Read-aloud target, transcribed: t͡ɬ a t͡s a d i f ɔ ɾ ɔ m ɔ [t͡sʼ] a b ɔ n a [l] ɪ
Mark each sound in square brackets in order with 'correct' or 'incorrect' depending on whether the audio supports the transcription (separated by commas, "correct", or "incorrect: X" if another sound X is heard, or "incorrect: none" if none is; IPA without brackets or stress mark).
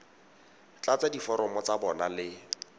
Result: incorrect: t͡s, correct